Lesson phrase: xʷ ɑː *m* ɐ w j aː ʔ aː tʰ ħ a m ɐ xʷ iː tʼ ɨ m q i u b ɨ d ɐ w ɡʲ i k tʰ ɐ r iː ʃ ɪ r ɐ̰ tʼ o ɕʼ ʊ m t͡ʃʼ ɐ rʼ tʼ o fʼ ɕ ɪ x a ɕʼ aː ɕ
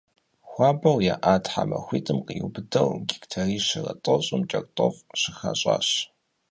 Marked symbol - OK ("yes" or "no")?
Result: no